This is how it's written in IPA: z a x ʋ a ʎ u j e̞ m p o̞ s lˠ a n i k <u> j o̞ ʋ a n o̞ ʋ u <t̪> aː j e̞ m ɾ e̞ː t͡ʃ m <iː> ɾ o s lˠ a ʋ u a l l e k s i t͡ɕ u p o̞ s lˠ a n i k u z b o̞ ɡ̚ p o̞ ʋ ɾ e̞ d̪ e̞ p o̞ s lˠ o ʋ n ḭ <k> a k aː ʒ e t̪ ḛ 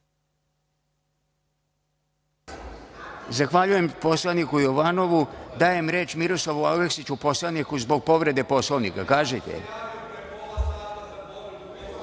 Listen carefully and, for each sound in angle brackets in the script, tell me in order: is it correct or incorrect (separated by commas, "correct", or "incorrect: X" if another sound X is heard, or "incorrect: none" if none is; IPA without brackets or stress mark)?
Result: correct, incorrect: d̪, incorrect: i, correct